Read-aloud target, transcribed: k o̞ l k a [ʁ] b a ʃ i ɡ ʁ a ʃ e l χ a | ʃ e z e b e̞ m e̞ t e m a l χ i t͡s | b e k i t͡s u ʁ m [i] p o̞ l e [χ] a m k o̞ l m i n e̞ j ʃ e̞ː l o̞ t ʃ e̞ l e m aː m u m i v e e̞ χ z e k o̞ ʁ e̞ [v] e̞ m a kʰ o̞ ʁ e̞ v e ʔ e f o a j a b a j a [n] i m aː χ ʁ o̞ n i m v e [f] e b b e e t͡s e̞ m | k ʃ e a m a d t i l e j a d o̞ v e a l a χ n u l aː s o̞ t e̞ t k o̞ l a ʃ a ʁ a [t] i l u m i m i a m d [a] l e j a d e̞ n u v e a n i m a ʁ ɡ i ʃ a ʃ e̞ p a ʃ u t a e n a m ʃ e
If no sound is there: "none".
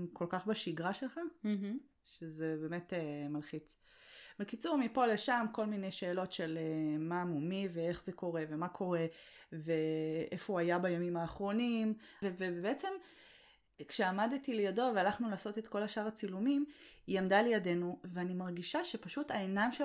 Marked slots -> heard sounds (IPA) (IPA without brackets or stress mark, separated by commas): χ, i, ʃ, v, m, v, t͡s, a